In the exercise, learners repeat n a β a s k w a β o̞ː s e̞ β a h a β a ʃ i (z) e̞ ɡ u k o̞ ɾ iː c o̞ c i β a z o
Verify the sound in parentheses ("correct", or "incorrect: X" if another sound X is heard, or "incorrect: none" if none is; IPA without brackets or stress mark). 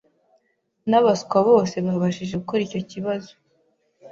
incorrect: ʒ